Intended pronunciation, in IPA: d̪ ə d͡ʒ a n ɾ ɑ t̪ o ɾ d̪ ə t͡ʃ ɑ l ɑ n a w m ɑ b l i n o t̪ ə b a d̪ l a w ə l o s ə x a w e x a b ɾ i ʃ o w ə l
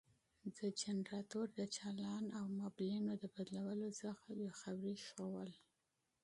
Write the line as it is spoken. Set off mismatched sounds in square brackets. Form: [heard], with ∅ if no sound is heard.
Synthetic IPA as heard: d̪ ə d͡ʒ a n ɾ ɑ t̪ o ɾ d̪ ə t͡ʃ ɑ l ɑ n a w m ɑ b l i n o [d̪] ə b a d̪ l a w ə l o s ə x a w e x a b ɾ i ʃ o w ə l